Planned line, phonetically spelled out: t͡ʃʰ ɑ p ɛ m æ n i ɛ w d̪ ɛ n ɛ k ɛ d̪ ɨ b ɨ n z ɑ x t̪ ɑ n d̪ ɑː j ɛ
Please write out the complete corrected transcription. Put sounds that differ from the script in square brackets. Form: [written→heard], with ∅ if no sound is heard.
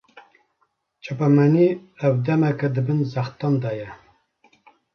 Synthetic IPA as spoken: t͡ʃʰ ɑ p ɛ m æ n i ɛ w d̪ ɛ [n→m] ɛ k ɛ d̪ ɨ b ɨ n z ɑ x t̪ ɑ n d̪ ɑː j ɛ